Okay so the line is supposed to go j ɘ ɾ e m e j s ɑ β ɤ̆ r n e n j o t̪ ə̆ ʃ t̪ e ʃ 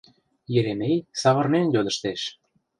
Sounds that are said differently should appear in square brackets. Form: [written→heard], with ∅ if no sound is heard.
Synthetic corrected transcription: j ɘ ɾ e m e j s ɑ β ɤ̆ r n e n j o [t̪→d̪] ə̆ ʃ t̪ e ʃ

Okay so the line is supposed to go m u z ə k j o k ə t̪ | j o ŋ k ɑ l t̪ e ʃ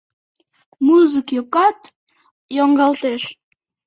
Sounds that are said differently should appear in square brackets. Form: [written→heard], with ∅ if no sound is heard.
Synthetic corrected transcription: m u z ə k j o k [ə→ɑ] t̪ | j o ŋ [k→ɡ] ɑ l t̪ e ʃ

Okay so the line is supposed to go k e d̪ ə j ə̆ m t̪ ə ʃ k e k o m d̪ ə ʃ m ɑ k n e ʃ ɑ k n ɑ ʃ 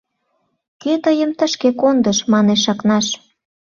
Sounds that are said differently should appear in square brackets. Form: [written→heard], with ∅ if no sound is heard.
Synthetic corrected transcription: k e [d̪→t̪] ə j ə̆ m t̪ ə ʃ k e k o [m→n] d̪ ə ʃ m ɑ [k→∅] n e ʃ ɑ k n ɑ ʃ

